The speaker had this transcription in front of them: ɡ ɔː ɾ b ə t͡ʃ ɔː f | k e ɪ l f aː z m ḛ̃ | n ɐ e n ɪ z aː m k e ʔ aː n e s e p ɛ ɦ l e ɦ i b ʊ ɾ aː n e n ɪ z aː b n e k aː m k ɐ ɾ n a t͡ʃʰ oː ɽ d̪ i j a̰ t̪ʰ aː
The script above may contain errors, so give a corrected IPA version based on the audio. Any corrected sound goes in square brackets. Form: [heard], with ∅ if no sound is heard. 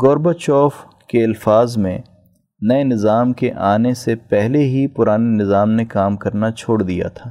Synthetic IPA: ɡ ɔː ɾ b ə t͡ʃ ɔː f | k e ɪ l f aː z m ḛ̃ | n ɐ e n ɪ z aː m k e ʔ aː n e s e p ɛ ɦ l e ɦ i [p] ʊ ɾ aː n e n ɪ z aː [m] n e k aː m k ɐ ɾ n a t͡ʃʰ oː ɽ d̪ i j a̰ t̪ʰ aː